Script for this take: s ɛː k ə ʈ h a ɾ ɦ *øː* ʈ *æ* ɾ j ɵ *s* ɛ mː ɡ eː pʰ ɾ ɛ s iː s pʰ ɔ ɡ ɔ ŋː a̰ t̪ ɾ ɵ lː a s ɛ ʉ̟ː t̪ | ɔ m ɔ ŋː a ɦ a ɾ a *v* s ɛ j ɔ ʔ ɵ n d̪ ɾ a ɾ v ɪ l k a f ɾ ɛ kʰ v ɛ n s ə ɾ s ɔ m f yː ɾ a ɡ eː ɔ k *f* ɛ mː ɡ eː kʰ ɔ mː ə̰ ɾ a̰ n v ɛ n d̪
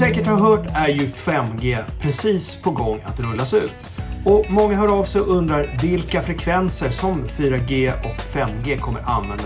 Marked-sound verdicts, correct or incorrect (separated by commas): incorrect, correct, incorrect, correct, correct